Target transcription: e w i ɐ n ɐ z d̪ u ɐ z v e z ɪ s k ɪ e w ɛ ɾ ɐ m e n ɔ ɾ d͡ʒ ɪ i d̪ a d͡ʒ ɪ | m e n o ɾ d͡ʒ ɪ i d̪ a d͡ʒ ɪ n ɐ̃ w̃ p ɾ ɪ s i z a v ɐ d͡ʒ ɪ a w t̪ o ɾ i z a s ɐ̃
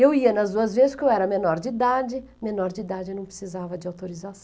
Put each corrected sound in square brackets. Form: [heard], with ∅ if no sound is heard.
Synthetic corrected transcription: e w i ɐ n ɐ z d̪ u ɐ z v e z ɪ s k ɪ e w ɛ ɾ ɐ m e n ɔ ɾ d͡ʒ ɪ i d̪ a d͡ʒ ɪ | m e n [ɔ] ɾ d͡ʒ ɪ i d̪ a d͡ʒ ɪ n ɐ̃ w̃ p ɾ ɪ s i z a v ɐ d͡ʒ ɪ a w t̪ o ɾ i z a s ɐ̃